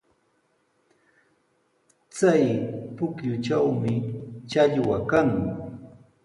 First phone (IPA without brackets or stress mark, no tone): t͡s